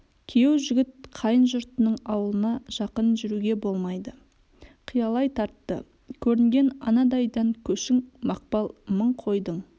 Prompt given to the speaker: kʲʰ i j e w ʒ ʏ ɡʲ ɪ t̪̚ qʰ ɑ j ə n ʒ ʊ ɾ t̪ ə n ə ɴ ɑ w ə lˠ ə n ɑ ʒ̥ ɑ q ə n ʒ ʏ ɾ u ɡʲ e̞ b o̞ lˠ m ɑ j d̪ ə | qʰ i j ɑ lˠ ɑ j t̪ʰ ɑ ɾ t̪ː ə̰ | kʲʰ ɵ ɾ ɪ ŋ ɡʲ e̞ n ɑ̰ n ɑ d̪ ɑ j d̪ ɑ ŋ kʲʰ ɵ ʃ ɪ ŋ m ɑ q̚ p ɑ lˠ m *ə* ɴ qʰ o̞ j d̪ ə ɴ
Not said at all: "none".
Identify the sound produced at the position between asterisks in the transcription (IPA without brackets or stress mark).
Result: ə